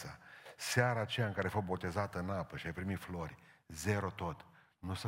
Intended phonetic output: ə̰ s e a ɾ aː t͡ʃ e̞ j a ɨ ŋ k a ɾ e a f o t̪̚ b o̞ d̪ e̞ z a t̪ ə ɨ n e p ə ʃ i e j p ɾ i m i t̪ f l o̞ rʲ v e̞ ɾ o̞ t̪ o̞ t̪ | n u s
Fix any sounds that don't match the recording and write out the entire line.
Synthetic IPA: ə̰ s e a ɾ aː t͡ʃ e̞ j a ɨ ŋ k a ɾ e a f o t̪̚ b o̞ t̪ e̞ z a t̪ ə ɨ n a p ə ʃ i a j p ɾ i m i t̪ f l o̞ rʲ z e̞ ɾ o̞ t̪ o̞ t̪ | n u s